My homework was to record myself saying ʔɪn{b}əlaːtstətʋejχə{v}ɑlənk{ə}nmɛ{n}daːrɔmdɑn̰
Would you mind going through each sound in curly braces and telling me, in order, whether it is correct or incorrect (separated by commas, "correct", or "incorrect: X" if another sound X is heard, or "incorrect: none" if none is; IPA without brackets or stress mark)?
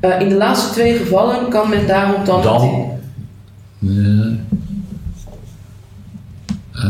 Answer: incorrect: d, correct, incorrect: ɑ, correct